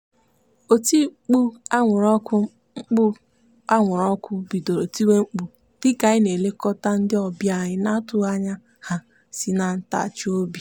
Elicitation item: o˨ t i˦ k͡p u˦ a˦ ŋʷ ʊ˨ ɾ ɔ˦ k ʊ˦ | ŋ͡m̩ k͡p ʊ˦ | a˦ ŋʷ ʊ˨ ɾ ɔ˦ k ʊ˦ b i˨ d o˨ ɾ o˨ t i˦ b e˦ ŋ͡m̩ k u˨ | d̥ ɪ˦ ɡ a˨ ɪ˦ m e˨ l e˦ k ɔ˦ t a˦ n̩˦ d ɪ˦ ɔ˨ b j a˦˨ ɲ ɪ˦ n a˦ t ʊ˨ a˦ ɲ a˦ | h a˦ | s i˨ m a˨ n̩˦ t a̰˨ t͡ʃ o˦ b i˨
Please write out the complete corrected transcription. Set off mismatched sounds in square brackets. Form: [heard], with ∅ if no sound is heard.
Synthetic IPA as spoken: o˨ t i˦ k͡p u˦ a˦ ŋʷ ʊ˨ ɾ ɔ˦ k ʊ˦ | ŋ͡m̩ k͡p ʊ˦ | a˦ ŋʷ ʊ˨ ɾ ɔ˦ k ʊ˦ b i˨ d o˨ ɾ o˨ t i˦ [w] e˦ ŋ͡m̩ [k͡p] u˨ | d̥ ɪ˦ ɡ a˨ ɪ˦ [n] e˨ l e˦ k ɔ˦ t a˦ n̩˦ d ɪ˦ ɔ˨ b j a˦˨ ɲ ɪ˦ n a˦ t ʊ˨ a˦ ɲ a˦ | h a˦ | s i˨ [n] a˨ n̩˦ t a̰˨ t͡ʃ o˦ b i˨